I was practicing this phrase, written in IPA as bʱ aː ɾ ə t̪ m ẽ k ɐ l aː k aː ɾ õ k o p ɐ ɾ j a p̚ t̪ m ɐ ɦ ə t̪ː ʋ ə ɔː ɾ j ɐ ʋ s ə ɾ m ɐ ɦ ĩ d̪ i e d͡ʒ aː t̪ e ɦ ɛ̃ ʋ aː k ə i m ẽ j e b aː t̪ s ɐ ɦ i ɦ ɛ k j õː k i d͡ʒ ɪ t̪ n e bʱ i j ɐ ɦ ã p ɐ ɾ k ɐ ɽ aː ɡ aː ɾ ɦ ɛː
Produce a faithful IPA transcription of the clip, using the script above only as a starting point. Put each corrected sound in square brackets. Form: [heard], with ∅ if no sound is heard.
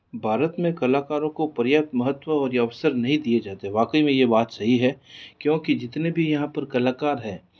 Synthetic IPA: bʱ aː ɾ ə t̪ m ẽ k ɐ l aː k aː ɾ õ k o p ɐ ɾ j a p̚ t̪ m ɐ ɦ ə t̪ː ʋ ə ɔː ɾ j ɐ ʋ s ə ɾ [n] ɐ ɦ ĩ d̪ i e d͡ʒ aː t̪ e ɦ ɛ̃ ʋ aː k ə i m ẽ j e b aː t̪ s ɐ ɦ i ɦ ɛ k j õː k i d͡ʒ ɪ t̪ n e bʱ i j ɐ ɦ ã p ɐ ɾ k ɐ [l] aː [k] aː ɾ ɦ ɛː